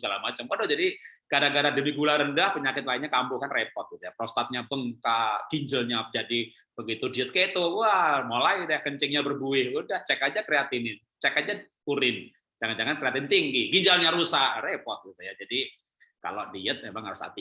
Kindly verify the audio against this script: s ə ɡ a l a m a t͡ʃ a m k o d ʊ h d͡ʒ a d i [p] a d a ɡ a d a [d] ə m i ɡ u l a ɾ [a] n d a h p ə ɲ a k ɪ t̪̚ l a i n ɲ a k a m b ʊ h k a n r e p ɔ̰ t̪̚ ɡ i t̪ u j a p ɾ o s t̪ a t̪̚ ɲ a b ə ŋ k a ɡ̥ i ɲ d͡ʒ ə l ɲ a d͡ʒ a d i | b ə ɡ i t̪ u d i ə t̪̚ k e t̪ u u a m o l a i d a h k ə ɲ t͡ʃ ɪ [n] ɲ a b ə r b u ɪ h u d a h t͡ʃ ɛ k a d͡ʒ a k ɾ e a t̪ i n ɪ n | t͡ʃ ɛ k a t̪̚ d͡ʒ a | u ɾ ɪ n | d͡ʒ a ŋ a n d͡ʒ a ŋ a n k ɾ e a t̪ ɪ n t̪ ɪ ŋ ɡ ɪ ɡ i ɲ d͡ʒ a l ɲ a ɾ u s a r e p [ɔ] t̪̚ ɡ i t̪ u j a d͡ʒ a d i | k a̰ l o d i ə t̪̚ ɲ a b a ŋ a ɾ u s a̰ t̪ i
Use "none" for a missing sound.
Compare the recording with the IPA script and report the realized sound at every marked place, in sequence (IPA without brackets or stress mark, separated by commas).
k, d, ə, ŋ, ɔ